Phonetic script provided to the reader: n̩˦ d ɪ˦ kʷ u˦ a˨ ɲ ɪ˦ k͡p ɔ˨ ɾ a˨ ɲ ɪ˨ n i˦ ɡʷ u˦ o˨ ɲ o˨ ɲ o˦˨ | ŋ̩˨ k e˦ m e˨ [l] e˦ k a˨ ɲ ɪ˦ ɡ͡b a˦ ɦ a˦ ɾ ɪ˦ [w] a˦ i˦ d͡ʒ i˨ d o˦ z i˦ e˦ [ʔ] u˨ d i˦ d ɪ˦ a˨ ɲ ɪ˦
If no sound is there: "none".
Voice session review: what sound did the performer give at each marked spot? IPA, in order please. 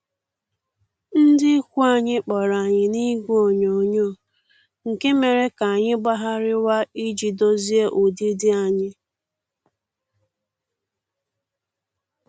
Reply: ɾ, w, ʔ

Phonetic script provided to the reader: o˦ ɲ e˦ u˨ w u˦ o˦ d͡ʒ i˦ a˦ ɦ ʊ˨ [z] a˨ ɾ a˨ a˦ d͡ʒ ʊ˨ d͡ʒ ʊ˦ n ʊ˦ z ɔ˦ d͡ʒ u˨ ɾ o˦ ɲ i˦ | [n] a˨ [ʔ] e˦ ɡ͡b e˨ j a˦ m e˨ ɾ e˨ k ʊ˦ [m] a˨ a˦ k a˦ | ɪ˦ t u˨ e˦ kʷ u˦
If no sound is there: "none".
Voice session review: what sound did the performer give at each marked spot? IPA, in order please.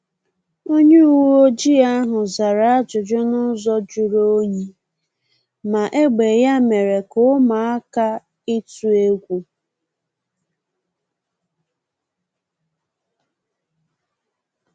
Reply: z, m, ʔ, m

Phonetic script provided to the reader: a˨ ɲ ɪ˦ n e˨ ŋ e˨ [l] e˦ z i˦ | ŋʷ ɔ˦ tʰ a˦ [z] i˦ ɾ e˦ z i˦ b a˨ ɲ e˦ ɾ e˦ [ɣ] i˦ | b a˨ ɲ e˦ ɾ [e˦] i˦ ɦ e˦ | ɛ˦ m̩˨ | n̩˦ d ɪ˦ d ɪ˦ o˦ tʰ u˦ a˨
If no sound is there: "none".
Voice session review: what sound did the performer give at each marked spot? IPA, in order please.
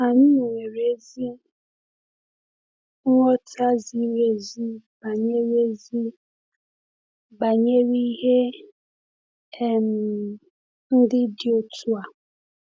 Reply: ɾ, z, z, i˦

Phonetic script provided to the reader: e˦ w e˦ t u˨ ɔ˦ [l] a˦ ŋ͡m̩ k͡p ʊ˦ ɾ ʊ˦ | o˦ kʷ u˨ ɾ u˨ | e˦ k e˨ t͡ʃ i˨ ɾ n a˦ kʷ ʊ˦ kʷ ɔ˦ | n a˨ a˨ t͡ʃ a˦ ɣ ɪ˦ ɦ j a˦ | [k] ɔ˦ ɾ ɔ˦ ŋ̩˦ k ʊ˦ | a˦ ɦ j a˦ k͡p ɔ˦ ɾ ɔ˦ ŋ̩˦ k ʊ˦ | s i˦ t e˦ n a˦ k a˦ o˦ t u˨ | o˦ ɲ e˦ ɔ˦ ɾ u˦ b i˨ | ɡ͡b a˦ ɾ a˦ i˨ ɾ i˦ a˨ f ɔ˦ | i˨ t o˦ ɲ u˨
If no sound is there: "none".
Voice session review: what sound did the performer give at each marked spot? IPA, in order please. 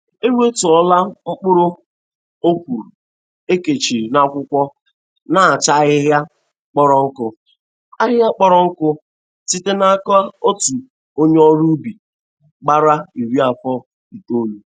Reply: l, k͡p

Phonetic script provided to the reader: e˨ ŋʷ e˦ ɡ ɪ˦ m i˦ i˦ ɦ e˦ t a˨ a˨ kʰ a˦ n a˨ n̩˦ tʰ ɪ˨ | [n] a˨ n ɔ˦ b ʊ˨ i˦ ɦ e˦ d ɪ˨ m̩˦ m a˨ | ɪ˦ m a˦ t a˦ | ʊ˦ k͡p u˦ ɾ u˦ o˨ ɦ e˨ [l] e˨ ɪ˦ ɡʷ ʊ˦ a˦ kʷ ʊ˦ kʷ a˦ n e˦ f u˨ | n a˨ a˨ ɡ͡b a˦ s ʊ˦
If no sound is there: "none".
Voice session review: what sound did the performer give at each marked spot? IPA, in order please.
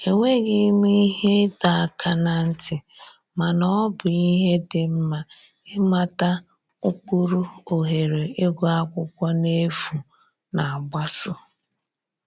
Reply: m, ɾ

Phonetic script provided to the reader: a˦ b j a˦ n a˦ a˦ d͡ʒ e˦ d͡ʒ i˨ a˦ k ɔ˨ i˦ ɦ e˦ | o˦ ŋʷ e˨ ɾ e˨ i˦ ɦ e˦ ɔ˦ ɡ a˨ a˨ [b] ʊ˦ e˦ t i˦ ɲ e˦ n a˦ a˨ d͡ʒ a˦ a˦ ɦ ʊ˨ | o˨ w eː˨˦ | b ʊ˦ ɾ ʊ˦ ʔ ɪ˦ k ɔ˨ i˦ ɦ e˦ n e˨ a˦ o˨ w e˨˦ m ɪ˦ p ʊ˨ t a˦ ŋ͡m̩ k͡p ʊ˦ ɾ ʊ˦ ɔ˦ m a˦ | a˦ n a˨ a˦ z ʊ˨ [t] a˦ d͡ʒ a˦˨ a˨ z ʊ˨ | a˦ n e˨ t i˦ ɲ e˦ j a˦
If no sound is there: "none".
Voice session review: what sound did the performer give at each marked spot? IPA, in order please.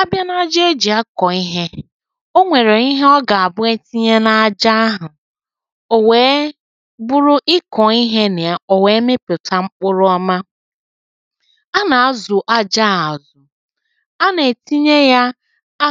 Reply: b, ʔ

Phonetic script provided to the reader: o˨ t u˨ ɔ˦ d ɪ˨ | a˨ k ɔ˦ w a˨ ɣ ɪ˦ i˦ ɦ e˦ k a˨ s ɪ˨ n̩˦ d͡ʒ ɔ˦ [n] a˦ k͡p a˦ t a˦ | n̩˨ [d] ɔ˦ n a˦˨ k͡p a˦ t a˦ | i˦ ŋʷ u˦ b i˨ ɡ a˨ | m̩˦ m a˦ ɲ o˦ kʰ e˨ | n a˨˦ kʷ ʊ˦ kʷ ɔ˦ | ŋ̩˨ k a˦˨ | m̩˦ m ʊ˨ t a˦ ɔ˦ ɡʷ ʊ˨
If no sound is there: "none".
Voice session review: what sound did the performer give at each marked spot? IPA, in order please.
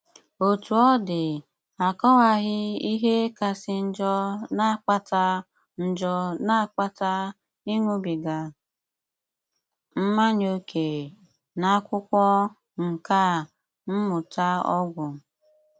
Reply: n, d͡ʒ

